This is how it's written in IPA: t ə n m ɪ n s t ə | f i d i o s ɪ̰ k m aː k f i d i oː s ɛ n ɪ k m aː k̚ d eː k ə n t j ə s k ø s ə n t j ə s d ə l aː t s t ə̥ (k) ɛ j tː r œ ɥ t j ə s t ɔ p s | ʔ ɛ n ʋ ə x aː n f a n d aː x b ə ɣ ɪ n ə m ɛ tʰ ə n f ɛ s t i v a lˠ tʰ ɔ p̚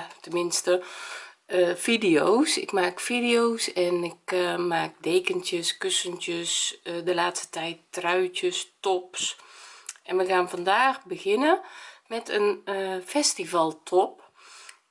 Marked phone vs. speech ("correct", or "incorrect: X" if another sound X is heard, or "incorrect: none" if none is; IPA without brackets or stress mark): incorrect: t